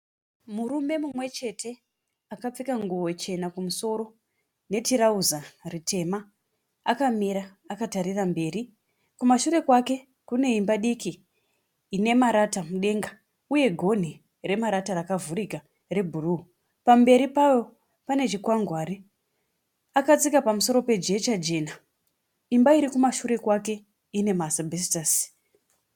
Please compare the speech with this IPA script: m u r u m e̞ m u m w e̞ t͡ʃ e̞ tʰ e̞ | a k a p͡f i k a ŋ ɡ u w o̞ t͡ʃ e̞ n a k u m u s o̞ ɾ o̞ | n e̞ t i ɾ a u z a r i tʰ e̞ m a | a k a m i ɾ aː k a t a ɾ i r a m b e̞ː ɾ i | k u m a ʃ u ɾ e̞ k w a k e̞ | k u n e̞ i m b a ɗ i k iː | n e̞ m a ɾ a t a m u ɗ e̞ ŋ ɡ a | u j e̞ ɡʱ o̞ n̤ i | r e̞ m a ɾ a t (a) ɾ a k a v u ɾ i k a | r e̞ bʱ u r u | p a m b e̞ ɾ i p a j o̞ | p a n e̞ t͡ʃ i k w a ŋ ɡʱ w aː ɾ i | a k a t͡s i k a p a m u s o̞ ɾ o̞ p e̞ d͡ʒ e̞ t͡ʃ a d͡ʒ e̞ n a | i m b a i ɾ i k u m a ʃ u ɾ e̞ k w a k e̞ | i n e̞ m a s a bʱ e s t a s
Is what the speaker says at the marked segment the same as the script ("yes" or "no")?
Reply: yes